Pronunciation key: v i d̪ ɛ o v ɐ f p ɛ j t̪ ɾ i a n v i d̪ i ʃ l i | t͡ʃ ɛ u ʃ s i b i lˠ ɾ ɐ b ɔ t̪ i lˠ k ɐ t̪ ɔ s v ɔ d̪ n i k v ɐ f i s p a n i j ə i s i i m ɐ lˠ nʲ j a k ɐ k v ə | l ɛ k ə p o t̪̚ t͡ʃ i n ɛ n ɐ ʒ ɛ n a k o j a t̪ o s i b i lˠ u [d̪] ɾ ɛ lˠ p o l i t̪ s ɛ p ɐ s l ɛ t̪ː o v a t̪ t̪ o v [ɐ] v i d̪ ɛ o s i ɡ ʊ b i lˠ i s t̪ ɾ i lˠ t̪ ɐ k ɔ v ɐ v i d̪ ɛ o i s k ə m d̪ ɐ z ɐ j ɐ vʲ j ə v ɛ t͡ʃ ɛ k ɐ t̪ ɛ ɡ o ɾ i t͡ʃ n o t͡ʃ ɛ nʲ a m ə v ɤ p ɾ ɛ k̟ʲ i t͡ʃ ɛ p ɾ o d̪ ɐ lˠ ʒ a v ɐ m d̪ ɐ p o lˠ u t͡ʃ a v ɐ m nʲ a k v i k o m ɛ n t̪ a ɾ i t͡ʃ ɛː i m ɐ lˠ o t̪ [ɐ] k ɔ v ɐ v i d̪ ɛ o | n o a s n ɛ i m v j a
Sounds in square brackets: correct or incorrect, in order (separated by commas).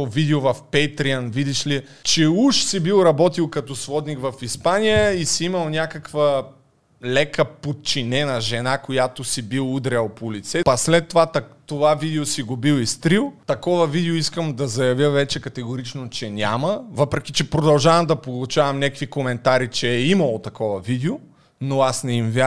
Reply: correct, incorrect, correct